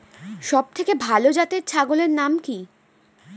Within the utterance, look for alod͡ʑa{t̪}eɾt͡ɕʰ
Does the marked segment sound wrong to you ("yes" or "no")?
no